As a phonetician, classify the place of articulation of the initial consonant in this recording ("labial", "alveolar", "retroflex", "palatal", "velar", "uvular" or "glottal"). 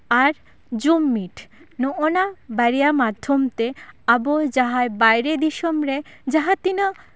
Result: alveolar